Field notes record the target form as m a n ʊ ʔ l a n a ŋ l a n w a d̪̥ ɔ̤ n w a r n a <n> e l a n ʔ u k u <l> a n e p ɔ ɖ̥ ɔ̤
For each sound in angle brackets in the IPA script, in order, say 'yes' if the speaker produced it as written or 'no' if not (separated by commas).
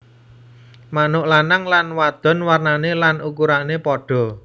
yes, no